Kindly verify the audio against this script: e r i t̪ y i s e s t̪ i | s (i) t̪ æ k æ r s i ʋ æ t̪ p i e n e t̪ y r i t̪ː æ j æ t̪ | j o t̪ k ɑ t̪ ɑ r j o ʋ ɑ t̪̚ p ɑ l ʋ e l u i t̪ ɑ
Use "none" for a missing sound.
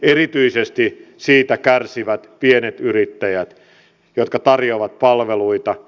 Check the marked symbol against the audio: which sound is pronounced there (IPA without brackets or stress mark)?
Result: iː